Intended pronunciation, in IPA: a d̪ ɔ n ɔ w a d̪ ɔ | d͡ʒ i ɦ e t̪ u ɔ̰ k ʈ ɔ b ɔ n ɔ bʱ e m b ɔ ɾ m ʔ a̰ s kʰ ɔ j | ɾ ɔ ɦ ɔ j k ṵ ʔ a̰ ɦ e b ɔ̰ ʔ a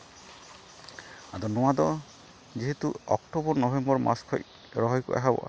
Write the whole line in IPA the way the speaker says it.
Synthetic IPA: a d̪ ɔ n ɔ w a d̪ ɔ | d͡ʒ i ɦ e t̪ u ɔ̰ k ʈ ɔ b ɔ n ɔ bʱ e m b ɔ ɾ m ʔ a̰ s kʰ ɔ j | ɾ ɔ ɦ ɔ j k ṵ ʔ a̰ ɦ a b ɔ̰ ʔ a